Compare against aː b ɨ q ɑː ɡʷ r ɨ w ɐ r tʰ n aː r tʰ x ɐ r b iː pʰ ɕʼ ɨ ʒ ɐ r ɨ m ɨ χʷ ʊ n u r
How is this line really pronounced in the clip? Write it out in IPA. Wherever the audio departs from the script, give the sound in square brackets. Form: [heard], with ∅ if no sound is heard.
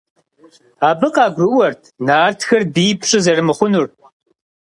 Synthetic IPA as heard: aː b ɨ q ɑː ɡʷ r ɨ w ɐ r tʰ n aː r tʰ x ɐ r b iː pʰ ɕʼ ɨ [z] ɐ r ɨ m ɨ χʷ ʊ n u r